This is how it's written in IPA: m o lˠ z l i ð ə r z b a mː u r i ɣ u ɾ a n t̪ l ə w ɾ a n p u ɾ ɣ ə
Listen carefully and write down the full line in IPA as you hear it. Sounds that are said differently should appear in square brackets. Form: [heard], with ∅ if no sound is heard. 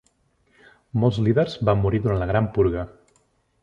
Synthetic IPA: m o lˠ z l i ð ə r z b a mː u [ɾ] i [ð] u ɾ a n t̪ l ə [ɣ] ɾ a [m] p u ɾ ɣ ə